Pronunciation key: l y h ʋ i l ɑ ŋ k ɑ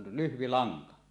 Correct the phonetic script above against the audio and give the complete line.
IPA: l y h ʋ i l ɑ ŋ k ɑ